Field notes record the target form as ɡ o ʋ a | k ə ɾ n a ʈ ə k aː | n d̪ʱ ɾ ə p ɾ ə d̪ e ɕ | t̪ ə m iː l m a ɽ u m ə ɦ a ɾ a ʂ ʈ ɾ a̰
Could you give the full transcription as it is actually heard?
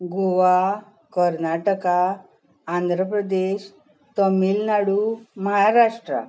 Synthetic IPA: ɡ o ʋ a | k ə ɾ n a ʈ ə k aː | n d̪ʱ ɾ ə p ɾ ə d̪ e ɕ | t̪ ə m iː l n a ɽ u m ə ɦ a ɾ a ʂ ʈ ɾ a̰